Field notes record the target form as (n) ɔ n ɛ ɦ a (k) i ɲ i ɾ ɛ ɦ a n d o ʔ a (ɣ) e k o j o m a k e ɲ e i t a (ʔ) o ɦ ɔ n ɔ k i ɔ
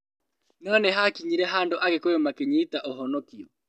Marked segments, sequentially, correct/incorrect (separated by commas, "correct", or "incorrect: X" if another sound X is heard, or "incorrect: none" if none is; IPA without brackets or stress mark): correct, correct, correct, correct